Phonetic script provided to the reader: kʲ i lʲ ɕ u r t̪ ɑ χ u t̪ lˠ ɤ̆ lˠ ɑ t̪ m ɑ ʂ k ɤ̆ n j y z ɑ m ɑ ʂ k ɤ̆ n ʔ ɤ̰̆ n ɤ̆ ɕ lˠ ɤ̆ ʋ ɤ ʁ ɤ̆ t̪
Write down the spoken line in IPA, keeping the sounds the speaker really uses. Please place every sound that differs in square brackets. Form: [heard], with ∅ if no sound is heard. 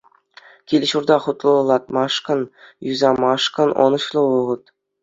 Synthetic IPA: kʲ i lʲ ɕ u r [d̪] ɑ χ u t̪ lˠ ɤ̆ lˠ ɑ t̪ m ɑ ʂ k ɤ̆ n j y z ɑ m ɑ ʂ k ɤ̆ n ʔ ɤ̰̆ n ɤ̆ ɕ lˠ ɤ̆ ʋ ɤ ʁ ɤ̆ t̪